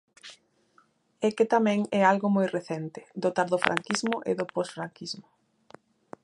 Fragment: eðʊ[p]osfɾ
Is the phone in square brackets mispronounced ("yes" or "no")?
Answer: no